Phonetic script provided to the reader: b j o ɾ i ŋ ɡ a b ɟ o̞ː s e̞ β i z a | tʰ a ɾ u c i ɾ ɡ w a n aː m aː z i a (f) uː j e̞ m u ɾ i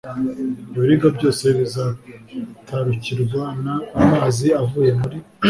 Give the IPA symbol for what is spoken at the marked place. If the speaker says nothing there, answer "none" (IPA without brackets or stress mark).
v